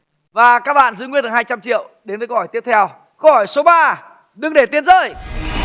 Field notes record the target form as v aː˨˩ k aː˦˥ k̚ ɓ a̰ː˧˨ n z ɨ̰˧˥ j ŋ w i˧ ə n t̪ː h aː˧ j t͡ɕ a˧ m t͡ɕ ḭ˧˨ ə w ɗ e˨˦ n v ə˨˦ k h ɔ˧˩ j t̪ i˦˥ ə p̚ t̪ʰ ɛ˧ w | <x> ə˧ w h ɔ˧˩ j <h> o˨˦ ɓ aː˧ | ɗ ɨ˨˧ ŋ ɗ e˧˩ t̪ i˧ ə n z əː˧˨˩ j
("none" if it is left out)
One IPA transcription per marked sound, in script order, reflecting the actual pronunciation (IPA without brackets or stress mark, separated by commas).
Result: k, s